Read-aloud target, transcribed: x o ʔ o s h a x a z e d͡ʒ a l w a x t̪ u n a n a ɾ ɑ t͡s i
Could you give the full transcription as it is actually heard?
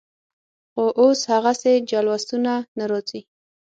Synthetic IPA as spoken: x o ʔ o s h a ɣ a s e d͡ʒ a l w a s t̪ u n a n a ɾ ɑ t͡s i